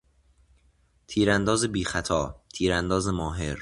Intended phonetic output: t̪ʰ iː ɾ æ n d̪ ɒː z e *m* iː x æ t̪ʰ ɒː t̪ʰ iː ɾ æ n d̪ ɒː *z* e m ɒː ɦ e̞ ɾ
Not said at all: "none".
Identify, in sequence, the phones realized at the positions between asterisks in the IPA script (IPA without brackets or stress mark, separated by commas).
b, z